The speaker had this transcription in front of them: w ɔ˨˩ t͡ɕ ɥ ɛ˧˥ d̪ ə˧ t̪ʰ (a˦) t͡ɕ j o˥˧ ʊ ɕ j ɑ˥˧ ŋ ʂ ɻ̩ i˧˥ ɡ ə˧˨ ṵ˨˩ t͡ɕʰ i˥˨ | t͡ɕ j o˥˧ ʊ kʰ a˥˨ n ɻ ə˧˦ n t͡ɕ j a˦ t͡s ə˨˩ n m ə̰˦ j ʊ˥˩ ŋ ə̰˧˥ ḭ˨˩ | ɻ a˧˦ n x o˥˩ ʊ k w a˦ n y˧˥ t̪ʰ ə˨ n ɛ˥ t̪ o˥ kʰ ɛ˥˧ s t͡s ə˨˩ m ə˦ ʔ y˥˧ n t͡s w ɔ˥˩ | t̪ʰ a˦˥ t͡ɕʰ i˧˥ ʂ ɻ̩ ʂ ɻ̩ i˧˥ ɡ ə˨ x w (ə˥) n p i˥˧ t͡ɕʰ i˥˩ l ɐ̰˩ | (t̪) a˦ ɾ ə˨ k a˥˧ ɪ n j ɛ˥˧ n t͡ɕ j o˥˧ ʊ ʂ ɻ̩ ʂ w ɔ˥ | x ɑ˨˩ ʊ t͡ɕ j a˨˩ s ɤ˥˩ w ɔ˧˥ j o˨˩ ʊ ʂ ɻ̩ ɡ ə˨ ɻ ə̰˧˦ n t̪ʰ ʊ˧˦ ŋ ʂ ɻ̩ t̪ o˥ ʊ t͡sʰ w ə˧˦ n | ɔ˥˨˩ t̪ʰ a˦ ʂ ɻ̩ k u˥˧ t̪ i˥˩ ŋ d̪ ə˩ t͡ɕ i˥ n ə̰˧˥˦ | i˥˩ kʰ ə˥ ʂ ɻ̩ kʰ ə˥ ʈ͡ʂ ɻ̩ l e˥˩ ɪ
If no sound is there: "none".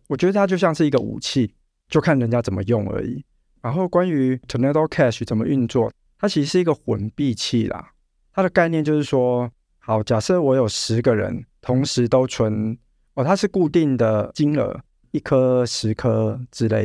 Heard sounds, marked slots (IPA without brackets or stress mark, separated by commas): a˦, ə˧˩, t̪ʰ